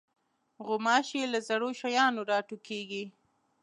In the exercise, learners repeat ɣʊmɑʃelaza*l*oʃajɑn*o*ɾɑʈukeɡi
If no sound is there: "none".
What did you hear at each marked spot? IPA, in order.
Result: ɽ, o

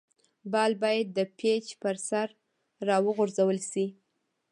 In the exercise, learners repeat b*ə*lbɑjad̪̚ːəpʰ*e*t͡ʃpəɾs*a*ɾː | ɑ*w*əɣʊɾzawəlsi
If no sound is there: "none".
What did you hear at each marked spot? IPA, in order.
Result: ɑ, e, a, w

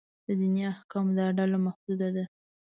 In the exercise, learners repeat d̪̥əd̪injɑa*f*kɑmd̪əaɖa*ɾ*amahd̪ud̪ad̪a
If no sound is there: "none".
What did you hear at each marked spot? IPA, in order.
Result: h, l

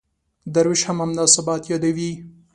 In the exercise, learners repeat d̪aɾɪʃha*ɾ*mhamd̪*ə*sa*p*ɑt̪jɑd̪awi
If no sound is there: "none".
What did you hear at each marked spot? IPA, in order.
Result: none, ɑ, b

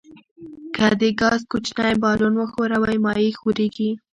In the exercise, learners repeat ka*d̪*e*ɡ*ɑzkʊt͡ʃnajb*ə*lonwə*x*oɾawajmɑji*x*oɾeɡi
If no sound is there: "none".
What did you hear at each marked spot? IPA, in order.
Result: d̪, ɡ, ɑ, x, x

